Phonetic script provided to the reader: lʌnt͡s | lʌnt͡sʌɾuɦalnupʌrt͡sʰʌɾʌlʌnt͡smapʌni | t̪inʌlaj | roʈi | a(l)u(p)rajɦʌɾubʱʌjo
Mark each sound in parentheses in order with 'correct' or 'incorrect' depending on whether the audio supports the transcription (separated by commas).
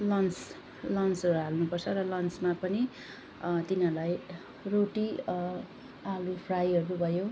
correct, incorrect